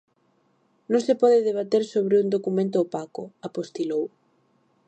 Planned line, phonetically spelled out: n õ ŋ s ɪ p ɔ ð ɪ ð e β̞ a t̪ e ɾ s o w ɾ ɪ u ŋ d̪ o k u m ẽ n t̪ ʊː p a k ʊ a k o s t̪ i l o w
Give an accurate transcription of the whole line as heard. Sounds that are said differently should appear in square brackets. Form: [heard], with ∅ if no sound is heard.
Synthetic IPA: n õ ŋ s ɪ p ɔ ð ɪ ð e β̞ a t̪ e ɾ s o [β] ɾ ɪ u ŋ d̪ o k u m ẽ n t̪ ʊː p a k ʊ a [p] o s t̪ i l o w

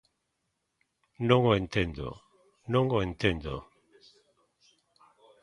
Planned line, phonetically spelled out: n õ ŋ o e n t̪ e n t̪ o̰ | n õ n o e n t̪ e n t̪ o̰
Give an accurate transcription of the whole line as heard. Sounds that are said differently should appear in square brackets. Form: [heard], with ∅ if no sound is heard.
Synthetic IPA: n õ ŋ o e n t̪ e n [d̪] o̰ | n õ [ŋ] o e n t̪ e n [d̪] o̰

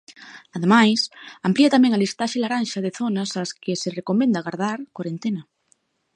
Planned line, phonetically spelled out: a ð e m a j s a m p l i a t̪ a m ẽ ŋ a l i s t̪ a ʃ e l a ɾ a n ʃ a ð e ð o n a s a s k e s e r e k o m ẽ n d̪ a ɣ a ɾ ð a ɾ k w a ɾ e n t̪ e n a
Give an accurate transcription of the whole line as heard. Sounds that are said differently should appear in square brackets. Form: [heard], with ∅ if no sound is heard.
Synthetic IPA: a ð e m a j s a m p l i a t̪ a m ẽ ŋ a l i s t̪ a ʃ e l a ɾ a n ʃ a ð e [θ] o n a s a s k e s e r e k o m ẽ n d̪ a ɣ a ɾ ð a ɾ k w a ɾ e n t̪ e n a

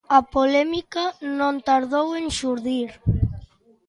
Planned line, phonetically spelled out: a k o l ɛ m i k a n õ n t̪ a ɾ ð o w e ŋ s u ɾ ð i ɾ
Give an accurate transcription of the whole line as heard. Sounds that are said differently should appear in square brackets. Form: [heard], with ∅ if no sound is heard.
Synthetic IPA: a [p] o l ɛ m i k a n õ n t̪ a ɾ ð o w e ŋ [ʃ] u ɾ ð i ɾ

